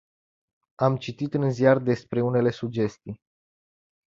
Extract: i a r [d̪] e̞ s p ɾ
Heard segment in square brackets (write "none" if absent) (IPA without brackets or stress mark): d̪